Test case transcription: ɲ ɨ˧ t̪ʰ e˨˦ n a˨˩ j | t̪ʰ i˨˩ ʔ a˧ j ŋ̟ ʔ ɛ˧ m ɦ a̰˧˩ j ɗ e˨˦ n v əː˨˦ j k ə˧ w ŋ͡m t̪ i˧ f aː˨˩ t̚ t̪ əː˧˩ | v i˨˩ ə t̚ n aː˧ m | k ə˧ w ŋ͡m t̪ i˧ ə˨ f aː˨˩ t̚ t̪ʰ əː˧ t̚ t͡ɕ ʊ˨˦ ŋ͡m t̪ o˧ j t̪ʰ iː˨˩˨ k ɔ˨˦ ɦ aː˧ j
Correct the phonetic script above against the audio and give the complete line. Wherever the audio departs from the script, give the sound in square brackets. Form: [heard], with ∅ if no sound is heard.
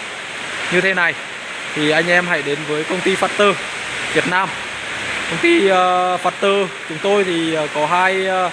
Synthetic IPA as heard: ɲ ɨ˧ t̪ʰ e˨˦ n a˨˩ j | t̪ʰ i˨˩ ʔ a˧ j ŋ̟ ʔ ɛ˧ m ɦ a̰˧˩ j ɗ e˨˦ n v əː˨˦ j k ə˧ w ŋ͡m t̪ i˧ f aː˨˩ t̚ t̪ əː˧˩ | v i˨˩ ə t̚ n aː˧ m | k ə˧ w ŋ͡m t̪ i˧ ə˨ f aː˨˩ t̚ [t̪] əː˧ [∅] t͡ɕ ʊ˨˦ ŋ͡m t̪ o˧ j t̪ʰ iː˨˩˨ k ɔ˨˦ ɦ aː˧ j

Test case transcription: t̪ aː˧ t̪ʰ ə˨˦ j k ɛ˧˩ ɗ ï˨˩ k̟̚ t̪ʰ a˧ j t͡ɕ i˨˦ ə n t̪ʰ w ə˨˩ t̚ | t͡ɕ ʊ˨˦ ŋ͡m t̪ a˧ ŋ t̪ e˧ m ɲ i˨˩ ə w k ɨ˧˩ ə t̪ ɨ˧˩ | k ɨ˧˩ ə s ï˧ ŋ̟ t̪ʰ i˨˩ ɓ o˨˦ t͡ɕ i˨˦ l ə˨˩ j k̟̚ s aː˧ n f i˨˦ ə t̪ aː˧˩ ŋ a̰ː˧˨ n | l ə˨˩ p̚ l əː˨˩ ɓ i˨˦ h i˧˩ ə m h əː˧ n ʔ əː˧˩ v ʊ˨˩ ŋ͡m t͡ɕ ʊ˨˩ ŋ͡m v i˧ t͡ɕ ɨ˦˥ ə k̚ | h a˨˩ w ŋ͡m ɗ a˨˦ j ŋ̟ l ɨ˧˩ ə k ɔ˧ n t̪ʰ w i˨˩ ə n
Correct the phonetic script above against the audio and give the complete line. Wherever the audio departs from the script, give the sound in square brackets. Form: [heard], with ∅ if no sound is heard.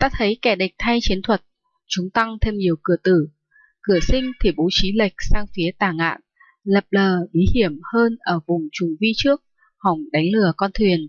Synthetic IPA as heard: t̪ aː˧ t̪ʰ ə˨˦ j k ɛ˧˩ ɗ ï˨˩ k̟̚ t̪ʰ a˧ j t͡ɕ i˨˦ ə n t̪ʰ w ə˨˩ t̚ | t͡ɕ ʊ˨˦ ŋ͡m t̪ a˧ ŋ [t̪ʰ] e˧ m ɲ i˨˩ ə w k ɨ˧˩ ə t̪ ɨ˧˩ | k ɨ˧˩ ə s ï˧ ŋ̟ t̪ʰ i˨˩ ɓ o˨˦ t͡ɕ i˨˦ l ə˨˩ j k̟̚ s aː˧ [ŋ] f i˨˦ ə t̪ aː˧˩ ŋ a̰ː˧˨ n | l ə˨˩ p̚ l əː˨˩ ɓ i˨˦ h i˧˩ ə m h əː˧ n ʔ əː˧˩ v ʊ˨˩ ŋ͡m t͡ɕ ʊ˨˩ ŋ͡m v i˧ t͡ɕ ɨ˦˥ ə k̚ | h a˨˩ w ŋ͡m ɗ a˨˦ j ŋ̟ l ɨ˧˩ ə k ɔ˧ n t̪ʰ w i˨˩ ə n

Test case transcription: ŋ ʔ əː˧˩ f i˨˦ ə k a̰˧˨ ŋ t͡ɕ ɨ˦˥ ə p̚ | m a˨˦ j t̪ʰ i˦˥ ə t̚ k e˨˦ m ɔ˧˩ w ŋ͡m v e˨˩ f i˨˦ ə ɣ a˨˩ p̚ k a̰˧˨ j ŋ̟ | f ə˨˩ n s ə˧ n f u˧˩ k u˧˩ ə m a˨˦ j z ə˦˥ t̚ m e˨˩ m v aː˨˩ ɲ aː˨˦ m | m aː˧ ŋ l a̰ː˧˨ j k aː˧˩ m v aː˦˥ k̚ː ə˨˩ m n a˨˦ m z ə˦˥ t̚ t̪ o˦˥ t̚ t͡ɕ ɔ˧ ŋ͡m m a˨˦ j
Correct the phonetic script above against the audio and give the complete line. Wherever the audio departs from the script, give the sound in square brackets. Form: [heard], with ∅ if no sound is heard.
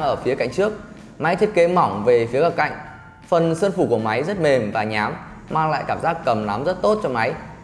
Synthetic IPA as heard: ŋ ʔ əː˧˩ f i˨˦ ə k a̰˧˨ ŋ t͡ɕ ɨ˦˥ ə [k̚] | m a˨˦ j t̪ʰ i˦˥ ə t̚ k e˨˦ m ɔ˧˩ w ŋ͡m v e˨˩ f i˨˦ ə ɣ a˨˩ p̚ k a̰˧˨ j ŋ̟ | f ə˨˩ n s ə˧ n f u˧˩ k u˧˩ ə m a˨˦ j z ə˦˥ t̚ m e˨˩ m v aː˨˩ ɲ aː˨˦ m | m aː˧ ŋ l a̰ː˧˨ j k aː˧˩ m [z] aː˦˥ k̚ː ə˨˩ m n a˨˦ m z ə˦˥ t̚ t̪ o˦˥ t̚ t͡ɕ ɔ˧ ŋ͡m m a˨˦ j

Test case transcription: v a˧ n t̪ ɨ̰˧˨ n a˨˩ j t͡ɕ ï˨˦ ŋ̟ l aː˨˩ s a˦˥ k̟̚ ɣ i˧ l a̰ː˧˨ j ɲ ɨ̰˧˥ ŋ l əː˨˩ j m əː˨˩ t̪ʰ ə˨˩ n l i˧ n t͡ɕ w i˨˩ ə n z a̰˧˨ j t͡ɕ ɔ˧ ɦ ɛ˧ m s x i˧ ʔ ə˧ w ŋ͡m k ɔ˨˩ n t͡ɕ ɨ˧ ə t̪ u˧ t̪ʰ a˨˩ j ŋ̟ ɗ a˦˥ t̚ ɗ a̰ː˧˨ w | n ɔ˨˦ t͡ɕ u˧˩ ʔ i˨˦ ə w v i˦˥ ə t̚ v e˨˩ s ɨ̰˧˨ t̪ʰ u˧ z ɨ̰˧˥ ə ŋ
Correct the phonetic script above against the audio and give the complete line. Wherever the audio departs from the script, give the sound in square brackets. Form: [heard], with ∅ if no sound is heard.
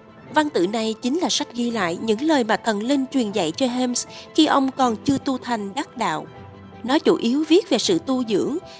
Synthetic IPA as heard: v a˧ n t̪ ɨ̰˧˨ n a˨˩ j t͡ɕ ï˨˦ ŋ̟ l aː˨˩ s a˦˥ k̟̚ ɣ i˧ l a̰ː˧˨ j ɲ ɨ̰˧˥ ŋ l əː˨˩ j m [aː˨˩] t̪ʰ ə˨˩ n l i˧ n t͡ɕ w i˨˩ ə n z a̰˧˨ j t͡ɕ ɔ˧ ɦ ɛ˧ m s x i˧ ʔ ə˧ w ŋ͡m k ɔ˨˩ n t͡ɕ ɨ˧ ə t̪ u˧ t̪ʰ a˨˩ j ŋ̟ ɗ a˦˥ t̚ ɗ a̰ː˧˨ w | n ɔ˨˦ t͡ɕ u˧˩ ʔ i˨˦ ə w v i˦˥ ə t̚ v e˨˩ s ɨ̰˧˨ [t̪] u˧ z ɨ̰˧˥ ə ŋ

